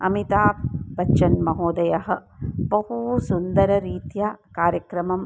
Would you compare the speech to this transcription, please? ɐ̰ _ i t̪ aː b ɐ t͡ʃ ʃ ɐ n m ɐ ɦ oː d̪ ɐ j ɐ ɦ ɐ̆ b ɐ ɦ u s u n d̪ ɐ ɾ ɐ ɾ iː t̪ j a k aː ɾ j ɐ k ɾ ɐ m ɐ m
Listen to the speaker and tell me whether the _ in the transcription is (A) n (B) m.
B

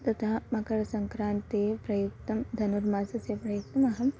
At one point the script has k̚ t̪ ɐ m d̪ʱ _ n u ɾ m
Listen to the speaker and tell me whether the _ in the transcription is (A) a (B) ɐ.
B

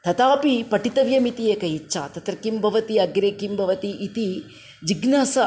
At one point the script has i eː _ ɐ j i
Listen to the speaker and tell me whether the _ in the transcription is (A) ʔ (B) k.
B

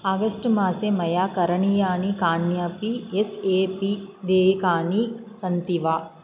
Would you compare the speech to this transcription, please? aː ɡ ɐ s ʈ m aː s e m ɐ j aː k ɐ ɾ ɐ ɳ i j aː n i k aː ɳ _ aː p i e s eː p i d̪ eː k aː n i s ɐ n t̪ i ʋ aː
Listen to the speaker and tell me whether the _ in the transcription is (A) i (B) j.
B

